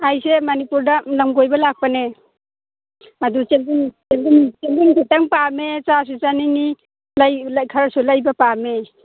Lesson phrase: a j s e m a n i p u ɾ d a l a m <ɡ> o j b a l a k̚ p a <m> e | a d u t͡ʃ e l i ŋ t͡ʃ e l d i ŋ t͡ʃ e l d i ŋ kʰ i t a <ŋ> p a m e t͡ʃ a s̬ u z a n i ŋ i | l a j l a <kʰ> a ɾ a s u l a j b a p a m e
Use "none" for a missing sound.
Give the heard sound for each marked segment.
ɡ, n, ŋ, kʰ

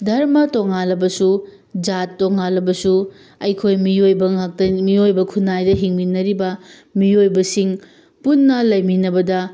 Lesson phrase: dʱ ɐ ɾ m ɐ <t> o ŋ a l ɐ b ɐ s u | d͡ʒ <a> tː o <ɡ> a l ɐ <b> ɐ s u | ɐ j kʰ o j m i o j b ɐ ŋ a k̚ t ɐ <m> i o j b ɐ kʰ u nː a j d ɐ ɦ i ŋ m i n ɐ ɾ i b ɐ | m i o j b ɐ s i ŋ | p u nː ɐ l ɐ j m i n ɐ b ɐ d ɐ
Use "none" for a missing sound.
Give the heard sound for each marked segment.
t, a, ŋ, b, m

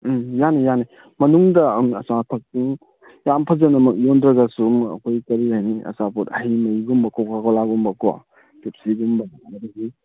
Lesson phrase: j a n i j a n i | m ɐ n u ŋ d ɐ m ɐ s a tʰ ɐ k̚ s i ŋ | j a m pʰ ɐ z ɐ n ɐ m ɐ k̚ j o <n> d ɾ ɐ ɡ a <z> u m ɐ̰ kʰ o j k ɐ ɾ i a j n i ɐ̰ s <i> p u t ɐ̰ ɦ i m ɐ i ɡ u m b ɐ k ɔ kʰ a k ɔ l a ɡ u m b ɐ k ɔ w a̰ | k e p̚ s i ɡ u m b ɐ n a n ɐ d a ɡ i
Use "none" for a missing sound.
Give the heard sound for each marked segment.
n, s, a

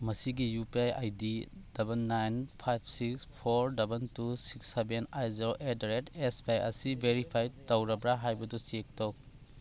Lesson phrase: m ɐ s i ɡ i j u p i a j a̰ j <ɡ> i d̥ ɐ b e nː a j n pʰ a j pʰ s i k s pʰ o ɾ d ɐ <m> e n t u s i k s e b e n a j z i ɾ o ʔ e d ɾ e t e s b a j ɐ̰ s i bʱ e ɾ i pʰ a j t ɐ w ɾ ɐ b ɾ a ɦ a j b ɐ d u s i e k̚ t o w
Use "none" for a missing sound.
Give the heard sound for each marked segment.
d, b

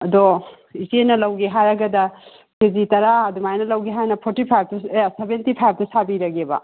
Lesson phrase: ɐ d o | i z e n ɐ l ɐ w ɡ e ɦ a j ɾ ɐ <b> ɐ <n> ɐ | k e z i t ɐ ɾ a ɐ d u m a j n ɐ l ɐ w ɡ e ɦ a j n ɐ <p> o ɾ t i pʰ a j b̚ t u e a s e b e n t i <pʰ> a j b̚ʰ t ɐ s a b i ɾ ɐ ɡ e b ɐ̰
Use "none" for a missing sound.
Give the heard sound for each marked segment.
ɡ, d, pʰ, pʰ

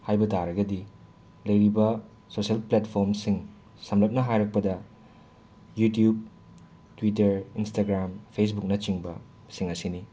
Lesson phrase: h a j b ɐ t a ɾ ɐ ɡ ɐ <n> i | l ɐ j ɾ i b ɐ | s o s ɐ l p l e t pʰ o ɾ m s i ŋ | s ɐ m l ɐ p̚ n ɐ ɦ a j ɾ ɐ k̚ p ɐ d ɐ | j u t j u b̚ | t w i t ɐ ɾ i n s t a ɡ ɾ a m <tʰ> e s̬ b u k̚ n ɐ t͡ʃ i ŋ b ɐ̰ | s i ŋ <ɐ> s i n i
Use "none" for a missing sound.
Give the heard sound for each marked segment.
d, pʰ, ɐ

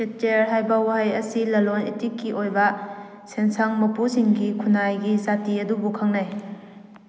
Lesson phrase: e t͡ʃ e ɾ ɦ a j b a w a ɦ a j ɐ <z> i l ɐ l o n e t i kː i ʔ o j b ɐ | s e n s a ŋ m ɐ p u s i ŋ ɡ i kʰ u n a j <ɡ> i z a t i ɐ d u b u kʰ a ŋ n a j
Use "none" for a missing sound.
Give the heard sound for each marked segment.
s, ɡ

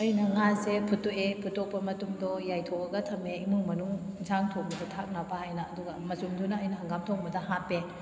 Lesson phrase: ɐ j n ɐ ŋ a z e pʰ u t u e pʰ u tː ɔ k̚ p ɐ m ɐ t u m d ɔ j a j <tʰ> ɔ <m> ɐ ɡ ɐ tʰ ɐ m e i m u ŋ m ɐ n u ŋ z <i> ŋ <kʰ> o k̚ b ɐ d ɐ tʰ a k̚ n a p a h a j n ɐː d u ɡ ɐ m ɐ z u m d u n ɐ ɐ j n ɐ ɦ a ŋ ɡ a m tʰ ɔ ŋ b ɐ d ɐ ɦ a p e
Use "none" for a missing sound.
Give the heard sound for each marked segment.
tʰ, none, a, tʰ

